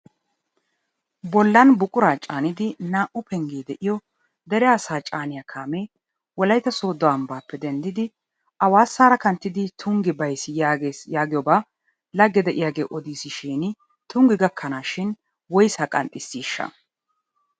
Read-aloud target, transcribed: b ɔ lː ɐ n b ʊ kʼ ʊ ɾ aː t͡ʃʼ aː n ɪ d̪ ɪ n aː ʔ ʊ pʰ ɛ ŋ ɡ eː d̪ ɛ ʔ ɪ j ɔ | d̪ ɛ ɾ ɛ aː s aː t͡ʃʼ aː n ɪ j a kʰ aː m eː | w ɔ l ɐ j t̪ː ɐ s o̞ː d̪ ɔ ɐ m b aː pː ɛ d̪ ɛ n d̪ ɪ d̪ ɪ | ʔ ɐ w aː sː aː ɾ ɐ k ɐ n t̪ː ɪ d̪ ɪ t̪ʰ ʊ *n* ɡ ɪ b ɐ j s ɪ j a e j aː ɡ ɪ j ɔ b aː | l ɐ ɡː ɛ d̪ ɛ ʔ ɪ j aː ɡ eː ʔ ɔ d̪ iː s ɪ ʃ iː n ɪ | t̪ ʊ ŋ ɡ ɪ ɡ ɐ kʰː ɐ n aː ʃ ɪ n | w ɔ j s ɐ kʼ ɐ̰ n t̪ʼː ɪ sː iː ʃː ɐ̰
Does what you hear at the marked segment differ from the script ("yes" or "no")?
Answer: yes